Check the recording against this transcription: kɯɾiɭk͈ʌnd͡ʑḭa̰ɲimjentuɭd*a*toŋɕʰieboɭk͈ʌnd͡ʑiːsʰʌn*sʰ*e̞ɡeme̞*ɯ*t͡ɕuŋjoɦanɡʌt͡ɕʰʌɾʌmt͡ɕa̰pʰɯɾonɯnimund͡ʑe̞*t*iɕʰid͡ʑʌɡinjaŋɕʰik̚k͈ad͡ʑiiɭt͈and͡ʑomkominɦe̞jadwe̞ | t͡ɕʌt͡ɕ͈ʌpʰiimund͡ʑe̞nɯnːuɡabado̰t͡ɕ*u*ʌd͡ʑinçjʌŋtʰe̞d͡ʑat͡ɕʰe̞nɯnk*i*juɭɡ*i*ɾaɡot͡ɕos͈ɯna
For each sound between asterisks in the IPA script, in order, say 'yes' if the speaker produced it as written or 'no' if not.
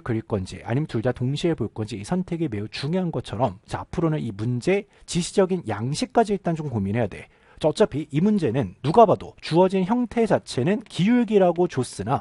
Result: yes, no, no, no, yes, yes, yes

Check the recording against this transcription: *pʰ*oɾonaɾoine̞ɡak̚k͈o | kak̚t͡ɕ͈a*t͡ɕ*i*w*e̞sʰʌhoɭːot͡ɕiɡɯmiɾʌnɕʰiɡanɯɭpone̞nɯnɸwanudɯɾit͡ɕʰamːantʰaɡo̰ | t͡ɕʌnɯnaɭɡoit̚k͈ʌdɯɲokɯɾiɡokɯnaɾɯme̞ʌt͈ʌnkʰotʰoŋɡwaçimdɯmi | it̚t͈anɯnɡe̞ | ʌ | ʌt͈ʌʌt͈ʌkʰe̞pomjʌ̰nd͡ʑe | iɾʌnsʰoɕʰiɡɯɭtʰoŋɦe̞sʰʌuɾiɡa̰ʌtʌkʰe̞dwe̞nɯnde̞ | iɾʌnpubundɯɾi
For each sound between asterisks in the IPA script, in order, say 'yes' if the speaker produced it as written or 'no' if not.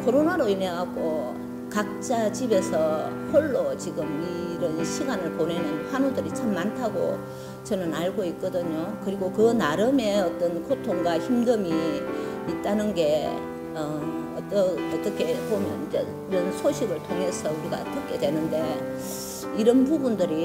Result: no, yes, no

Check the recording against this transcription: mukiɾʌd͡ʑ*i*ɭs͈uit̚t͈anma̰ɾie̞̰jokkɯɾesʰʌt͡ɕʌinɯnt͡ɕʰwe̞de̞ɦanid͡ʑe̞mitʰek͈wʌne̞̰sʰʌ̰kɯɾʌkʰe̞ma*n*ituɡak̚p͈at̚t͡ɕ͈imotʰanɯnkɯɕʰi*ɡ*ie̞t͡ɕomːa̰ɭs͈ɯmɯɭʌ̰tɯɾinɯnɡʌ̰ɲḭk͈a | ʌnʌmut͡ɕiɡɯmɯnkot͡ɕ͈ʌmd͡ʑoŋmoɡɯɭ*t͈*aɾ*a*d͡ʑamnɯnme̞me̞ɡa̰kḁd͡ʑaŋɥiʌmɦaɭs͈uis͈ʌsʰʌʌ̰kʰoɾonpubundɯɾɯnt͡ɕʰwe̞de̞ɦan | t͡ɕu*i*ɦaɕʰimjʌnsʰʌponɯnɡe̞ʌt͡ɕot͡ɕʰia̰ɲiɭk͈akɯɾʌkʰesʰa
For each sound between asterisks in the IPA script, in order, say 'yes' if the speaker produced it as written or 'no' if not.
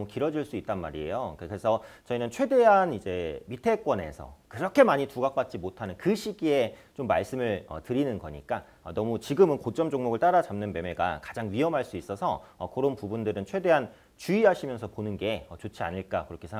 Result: yes, no, yes, yes, yes, yes

